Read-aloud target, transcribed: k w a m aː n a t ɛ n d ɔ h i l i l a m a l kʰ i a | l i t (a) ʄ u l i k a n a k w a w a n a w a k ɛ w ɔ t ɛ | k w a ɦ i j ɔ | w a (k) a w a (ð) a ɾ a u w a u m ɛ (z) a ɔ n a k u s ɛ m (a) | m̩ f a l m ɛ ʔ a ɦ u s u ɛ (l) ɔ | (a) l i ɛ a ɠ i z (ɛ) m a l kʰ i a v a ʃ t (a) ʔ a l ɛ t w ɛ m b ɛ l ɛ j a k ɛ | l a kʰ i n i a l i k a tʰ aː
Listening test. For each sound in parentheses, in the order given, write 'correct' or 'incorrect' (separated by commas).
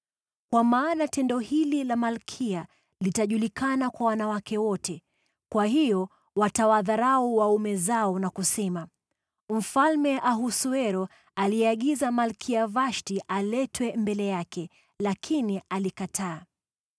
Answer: correct, incorrect, correct, correct, correct, incorrect, correct, incorrect, incorrect